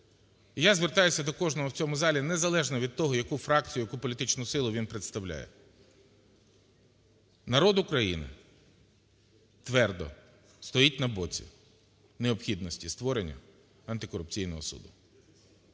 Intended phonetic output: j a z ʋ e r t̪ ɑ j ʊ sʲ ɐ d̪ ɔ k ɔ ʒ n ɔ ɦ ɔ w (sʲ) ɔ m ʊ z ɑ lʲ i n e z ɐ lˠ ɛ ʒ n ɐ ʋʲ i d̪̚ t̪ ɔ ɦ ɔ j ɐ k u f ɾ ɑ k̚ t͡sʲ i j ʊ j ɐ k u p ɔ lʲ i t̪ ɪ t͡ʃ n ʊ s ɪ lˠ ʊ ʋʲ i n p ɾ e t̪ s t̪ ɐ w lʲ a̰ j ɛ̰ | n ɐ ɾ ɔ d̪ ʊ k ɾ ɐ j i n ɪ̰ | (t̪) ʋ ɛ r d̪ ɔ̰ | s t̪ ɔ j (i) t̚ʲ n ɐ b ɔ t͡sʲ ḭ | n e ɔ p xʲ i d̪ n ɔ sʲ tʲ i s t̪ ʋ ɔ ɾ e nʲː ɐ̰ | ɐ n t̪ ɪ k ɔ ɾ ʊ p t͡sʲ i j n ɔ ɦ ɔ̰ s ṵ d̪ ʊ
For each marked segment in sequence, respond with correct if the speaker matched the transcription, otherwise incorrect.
incorrect: t͡sʲ, correct, correct

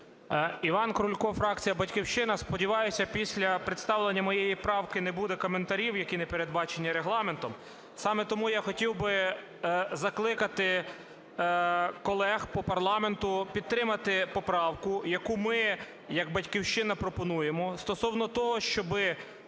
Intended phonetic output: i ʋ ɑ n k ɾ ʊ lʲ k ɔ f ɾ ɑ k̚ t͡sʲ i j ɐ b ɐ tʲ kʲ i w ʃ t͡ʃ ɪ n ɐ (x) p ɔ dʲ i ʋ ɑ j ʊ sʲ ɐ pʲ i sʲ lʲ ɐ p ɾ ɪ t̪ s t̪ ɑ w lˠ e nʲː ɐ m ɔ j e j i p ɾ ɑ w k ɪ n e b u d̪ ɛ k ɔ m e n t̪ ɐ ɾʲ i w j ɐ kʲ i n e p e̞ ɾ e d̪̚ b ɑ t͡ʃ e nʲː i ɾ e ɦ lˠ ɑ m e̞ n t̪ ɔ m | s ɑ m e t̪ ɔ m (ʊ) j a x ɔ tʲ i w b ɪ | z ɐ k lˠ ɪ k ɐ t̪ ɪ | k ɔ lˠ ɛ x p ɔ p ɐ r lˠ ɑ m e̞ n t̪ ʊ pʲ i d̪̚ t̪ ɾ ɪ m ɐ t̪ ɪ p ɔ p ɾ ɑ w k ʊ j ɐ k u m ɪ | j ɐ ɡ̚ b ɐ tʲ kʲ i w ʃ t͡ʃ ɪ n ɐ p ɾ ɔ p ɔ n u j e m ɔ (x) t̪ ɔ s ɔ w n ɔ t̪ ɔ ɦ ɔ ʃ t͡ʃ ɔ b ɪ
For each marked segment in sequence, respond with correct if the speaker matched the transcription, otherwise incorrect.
incorrect: s, incorrect: u, incorrect: s

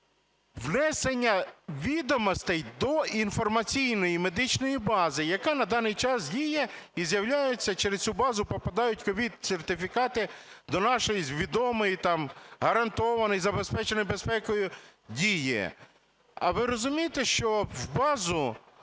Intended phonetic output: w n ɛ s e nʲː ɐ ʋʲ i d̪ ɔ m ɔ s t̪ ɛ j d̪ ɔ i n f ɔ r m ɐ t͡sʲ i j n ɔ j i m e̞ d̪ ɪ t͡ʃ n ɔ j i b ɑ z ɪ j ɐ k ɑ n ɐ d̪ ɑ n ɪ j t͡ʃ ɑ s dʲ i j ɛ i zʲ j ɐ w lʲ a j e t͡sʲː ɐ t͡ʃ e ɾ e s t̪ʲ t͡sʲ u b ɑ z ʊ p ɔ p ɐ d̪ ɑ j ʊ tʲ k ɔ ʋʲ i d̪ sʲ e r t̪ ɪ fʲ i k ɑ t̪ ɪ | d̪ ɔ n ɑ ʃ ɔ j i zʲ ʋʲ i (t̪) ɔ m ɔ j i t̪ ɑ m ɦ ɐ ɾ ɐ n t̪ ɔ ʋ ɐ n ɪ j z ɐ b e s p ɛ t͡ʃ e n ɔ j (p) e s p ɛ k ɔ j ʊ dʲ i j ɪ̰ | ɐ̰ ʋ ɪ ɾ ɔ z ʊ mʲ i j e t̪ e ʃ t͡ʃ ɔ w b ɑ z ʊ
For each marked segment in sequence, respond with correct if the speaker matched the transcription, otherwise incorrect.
incorrect: d̪, incorrect: b

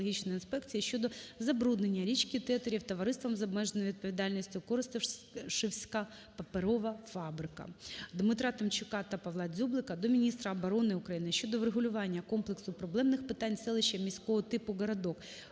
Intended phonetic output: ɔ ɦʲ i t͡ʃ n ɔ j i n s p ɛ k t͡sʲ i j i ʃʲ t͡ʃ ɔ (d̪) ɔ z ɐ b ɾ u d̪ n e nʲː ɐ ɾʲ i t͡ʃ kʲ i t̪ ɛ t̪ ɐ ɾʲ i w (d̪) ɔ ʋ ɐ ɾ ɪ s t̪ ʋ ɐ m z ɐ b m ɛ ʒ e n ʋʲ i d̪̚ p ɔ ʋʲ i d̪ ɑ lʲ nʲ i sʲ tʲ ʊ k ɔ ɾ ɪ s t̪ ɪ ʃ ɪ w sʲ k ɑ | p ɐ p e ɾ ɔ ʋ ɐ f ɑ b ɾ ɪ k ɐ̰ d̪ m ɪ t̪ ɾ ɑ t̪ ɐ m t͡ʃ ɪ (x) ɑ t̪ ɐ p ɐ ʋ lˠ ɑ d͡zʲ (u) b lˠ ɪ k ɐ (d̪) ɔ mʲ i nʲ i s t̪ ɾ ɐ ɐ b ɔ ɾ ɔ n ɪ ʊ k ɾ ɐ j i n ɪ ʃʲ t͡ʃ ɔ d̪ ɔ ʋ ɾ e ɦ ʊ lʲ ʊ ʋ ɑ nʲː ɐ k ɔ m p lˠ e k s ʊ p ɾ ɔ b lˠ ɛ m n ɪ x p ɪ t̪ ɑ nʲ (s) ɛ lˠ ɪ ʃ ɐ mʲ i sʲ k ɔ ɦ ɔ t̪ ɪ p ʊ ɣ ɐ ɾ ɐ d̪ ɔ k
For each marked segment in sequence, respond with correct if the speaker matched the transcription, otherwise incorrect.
correct, incorrect: t̪, incorrect: k, correct, correct, correct

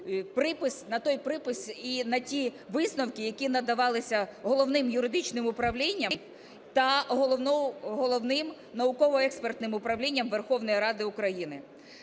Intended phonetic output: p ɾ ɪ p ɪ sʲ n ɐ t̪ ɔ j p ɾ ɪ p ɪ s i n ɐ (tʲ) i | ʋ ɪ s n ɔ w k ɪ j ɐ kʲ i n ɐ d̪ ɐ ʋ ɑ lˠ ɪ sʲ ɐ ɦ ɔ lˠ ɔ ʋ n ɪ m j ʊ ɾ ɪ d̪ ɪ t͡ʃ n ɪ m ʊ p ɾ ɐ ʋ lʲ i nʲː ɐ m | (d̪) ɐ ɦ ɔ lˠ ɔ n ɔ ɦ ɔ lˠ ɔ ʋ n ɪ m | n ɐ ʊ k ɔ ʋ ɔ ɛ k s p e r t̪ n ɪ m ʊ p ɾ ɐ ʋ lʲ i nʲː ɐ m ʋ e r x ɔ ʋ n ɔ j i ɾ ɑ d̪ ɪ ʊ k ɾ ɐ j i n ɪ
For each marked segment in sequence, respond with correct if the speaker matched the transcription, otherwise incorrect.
correct, incorrect: t̪

